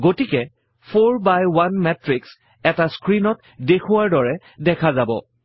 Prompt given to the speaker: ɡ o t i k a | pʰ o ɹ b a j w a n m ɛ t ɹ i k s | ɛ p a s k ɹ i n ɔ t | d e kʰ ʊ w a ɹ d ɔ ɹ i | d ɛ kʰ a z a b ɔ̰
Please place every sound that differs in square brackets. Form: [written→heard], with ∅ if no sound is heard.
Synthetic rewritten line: ɡ o t i k [a→ɛ] | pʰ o ɹ b a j w a n m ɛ t ɹ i k s | ɛ [p→t] a s k ɹ i n ɔ t | d e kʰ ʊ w a ɹ d ɔ ɹ [i→ɛ] | d ɛ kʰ a z a b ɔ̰

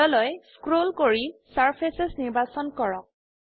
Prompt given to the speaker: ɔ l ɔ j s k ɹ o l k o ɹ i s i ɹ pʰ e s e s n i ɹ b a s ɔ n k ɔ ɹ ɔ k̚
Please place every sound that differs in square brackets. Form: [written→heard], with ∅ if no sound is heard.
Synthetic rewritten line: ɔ l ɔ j s k ɹ o l k o ɹ i s [i→a] ɹ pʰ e s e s n i ɹ b a s ɔ n k ɔ ɹ ɔ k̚

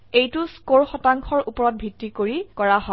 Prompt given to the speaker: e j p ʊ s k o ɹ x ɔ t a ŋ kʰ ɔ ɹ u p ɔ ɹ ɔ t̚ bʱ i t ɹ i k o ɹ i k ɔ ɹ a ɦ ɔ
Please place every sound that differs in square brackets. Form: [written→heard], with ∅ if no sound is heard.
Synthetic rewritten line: e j [p→t] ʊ s k o ɹ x ɔ t a ŋ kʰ ɔ ɹ u p ɔ ɹ ɔ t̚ bʱ i t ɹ i k o ɹ i k ɔ ɹ a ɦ ɔ

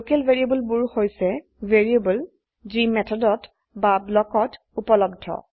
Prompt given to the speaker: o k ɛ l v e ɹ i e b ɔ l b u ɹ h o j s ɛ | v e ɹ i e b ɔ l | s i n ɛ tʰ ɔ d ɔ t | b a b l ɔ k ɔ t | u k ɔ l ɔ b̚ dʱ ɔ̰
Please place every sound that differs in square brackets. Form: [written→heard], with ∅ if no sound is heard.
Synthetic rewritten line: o k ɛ l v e ɹ i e b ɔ l b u ɹ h o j s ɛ | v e ɹ i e b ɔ l | [s→z] i [n→m] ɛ tʰ ɔ d ɔ t | b a b l ɔ k ɔ t | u [k→p] ɔ l ɔ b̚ dʱ ɔ̰

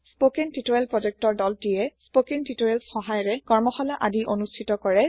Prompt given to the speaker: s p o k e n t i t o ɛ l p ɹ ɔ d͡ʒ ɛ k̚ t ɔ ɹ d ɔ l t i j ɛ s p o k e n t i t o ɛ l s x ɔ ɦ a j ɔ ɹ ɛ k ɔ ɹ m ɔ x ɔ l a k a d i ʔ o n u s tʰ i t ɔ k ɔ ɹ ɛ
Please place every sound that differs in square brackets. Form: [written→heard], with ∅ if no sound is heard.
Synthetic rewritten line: s p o k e n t i t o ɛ l p ɹ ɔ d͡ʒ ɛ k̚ t ɔ ɹ d ɔ l t i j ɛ s p o k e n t i t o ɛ l s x ɔ ɦ a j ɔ ɹ ɛ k ɔ ɹ m ɔ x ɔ l a [k→ʔ] a d i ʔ o n u s tʰ i t ɔ k ɔ ɹ ɛ

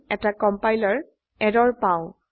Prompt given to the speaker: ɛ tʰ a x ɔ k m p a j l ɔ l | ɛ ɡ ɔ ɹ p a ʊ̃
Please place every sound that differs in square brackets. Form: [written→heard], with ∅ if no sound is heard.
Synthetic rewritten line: ɛ [tʰ→t] a [x→k] ɔ [k→∅] m p a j l ɔ [l→ɹ] | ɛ [ɡ→d] ɔ ɹ p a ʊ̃

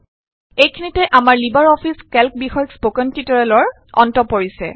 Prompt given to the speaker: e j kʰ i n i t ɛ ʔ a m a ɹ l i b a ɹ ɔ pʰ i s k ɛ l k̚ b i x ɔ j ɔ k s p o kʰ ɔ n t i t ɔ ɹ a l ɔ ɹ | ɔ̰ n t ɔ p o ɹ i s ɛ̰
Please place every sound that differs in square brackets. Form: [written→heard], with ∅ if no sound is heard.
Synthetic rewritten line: e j kʰ i n i t ɛ ʔ a m a ɹ l i b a ɹ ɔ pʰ i s k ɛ l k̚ b i x ɔ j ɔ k s p o [kʰ→k] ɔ n t i t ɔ ɹ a l ɔ ɹ | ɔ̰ n t ɔ p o ɹ i s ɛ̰

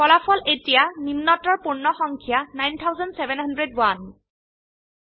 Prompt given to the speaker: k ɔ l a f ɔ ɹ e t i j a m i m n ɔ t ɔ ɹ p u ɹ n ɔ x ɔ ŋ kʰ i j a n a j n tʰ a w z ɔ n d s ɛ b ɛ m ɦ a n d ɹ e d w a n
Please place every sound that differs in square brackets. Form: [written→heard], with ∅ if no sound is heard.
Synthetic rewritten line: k ɔ l a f ɔ [ɹ→l] e t i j a [m→n] i m n ɔ t ɔ ɹ p u ɹ n ɔ x ɔ ŋ kʰ i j a n a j n tʰ a w z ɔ n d s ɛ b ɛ [m→n] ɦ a n d ɹ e d w a n

